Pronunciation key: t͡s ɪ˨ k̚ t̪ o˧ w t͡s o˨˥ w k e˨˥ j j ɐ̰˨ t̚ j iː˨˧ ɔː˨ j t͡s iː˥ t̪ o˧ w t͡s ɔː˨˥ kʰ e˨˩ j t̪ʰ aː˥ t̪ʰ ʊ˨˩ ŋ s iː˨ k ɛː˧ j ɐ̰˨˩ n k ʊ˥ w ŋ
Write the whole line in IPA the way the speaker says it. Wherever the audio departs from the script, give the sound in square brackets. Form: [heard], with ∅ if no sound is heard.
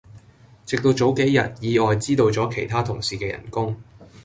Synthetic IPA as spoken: t͡s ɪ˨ k̚ t̪ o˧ w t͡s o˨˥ w k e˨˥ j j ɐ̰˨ t̚ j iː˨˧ ɔː˨ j t͡s iː˥ t̪ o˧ w t͡s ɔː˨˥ kʰ e˨˩ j t̪ʰ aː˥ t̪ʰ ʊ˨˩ ŋ s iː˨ k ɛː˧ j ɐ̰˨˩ n k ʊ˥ [∅] ŋ